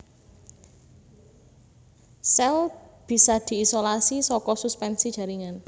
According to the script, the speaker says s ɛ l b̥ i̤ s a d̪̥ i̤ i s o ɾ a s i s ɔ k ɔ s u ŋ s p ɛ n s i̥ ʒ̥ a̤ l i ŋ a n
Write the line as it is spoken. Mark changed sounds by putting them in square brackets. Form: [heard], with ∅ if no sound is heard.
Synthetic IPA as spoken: s ɛ l b̥ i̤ s a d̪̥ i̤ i s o [l] a s i s ɔ k ɔ s u [∅] s p ɛ n s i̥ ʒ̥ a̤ [ɾ] i ŋ a n